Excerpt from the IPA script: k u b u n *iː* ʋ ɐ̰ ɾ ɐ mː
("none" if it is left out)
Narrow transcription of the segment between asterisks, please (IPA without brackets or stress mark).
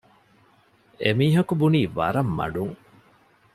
iː